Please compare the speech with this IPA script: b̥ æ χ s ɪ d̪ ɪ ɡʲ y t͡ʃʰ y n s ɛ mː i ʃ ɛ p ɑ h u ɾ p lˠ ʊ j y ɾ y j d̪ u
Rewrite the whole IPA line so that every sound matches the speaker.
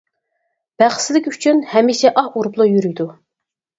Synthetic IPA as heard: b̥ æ χ s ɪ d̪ ɪ kʲ y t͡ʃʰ y n h ɛ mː i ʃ ɛ ʔ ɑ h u ɾ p lˠ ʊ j y ɾ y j d̪ u